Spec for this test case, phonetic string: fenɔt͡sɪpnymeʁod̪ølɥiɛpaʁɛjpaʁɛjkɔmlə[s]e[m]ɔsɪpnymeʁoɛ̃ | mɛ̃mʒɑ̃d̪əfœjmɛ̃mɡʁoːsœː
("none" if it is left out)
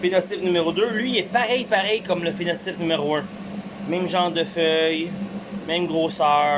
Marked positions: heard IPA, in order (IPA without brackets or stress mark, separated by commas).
f, n